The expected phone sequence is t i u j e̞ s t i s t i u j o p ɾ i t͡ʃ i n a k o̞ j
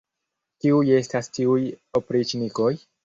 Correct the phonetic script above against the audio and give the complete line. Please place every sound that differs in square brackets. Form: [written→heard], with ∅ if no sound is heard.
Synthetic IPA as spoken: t i u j e̞ s t [i→a] s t i u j o p ɾ i t͡ʃ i n [a→i] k o̞ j